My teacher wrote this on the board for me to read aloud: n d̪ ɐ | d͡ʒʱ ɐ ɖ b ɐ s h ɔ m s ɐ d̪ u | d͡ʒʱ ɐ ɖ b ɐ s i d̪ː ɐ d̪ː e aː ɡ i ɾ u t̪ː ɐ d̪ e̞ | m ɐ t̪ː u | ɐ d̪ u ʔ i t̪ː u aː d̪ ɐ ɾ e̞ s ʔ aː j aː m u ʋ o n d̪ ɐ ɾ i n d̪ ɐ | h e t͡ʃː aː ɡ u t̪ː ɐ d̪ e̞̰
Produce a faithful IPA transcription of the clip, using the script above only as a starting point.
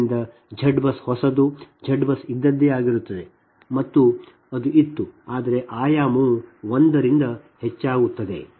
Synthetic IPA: n d̪ ɐ | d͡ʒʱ ɐ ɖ b ɐ s h ɔ s ɐ d̪ u | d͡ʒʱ ɐ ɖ b ɐ s i d̪ː ɐ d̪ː e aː ɡ i ɾ u t̪ː ɐ d̪ e̞ | m ɐ t̪ː u | ɐ d̪ u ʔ i t̪ː u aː d̪ ɐ ɾ e̞ ʔ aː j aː m u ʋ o n d̪ ɐ ɾ i n d̪ ɐ | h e t͡ʃː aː ɡ u t̪ː ɐ d̪ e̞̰